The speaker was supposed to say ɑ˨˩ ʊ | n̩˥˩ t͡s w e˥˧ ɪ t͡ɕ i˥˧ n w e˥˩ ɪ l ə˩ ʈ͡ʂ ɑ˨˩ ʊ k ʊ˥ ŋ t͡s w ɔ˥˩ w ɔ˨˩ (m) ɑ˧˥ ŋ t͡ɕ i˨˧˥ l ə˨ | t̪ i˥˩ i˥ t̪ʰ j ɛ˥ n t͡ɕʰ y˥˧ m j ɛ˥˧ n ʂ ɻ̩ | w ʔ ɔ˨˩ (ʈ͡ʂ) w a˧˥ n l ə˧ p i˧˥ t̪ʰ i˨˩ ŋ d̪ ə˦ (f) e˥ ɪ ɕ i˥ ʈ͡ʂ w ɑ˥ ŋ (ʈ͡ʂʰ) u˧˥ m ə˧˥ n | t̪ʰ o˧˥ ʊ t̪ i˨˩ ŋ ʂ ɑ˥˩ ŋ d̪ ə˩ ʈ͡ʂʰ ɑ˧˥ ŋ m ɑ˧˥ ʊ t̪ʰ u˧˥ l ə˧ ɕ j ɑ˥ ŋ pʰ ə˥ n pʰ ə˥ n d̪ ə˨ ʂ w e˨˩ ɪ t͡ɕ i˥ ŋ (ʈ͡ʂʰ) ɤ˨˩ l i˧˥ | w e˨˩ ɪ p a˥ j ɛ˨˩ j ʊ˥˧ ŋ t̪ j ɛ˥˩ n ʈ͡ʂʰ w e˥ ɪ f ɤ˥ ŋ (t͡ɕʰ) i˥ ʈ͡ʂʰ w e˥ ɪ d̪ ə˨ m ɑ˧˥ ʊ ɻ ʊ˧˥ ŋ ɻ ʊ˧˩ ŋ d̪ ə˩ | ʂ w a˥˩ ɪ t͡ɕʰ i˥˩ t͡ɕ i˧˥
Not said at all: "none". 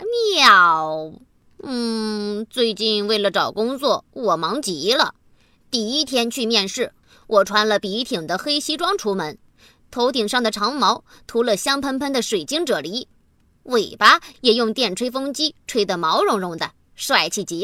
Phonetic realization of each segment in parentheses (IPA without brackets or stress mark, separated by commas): m, ʈ͡ʂʰ, x, ʈ͡ʂʰ, ʈ͡ʂ, t͡ɕ